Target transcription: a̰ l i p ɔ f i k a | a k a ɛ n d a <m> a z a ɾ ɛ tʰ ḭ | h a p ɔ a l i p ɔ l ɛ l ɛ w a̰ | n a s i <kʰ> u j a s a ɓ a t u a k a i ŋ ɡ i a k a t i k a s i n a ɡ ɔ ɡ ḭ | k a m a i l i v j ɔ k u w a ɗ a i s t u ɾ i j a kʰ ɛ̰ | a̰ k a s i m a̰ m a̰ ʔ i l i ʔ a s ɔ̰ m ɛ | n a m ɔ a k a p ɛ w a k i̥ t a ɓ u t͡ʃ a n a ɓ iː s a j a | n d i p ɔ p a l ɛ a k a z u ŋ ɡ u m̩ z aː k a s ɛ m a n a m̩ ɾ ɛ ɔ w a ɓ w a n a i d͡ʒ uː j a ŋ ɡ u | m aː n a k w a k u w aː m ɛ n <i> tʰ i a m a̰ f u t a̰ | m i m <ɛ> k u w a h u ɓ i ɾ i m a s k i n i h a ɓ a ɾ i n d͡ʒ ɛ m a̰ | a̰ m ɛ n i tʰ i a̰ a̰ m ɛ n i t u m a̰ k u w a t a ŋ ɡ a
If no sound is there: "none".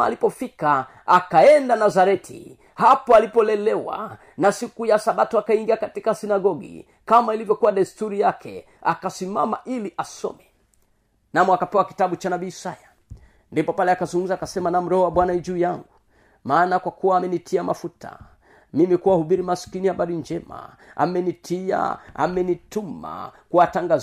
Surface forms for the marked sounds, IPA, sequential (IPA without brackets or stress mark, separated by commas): n, k, i, i